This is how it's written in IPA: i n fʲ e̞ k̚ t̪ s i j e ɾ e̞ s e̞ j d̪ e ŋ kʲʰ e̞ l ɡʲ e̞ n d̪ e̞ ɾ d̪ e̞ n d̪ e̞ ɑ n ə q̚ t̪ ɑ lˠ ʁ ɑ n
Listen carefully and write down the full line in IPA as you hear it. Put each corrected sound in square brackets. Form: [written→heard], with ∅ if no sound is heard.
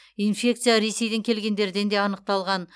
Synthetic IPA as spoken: i n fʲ e̞ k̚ t̪ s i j [e→a] ɾ e̞ s e̞ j d̪ e ŋ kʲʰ e̞ l ɡʲ e̞ n d̪ e̞ ɾ d̪ e̞ n d̪ e̞ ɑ n ə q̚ t̪ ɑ lˠ ʁ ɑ n